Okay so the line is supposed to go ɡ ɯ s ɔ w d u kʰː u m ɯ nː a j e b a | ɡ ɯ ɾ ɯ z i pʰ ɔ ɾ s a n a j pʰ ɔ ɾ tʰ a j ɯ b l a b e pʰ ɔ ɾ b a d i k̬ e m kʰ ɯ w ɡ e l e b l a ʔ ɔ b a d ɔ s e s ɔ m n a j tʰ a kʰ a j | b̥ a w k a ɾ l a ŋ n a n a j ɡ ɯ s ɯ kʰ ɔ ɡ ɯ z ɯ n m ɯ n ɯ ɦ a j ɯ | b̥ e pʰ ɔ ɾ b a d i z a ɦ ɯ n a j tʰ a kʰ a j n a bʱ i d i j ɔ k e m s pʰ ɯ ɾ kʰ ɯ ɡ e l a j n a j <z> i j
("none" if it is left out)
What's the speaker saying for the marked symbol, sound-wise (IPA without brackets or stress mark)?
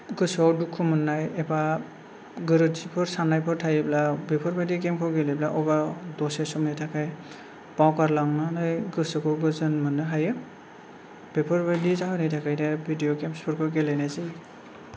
z